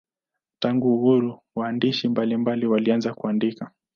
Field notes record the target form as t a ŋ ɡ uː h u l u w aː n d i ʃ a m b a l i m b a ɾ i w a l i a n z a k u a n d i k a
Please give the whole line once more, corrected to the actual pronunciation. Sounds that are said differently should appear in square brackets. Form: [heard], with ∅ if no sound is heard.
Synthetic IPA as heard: t a ŋ ɡ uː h u [ɾ] u w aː n d i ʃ [i] m b a l i m b a [l] i w a l i a n z a k u a n d i k a